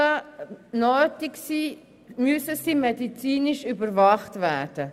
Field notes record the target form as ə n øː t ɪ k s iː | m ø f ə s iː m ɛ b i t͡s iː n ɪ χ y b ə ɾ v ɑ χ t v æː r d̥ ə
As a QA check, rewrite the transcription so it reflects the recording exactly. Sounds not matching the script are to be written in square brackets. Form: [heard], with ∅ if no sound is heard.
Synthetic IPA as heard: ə n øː t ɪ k s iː | m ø [s] ə s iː m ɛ [d] i t͡s iː n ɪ [ʃ] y b ə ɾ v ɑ χ t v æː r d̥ ə